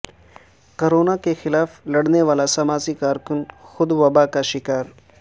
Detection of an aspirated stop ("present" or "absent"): absent